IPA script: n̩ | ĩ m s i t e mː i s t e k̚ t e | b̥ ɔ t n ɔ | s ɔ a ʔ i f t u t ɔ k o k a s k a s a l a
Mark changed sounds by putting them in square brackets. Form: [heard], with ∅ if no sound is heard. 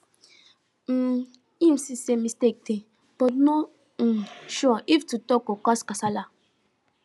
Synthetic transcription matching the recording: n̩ | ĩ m s i [s] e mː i s t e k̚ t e | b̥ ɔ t n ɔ | [ʃ] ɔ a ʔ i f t u t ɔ k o k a s k a s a l a